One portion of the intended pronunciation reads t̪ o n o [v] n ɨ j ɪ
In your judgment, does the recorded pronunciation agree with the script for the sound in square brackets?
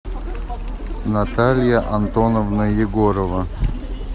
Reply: yes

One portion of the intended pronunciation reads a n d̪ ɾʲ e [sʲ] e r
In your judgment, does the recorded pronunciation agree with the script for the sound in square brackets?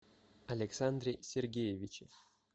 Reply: yes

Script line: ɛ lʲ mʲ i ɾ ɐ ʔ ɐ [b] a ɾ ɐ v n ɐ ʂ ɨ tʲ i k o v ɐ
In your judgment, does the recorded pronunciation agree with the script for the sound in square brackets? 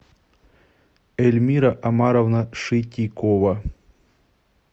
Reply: no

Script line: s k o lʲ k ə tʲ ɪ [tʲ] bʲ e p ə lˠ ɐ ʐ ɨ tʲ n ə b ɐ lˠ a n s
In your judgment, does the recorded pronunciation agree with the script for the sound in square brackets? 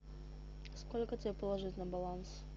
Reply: no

